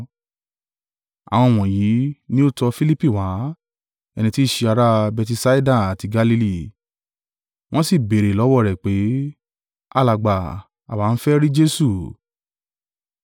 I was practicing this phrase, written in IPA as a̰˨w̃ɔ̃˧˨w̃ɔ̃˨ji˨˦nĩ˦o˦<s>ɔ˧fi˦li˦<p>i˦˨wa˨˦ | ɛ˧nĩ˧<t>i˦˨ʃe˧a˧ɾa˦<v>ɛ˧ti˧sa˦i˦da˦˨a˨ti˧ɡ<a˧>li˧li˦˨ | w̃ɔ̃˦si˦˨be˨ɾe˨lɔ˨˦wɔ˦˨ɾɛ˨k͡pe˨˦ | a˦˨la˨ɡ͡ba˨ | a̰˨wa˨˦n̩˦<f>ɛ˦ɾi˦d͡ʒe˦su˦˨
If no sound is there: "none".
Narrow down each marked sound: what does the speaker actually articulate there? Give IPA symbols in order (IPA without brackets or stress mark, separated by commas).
t, p, t, b, a˧, f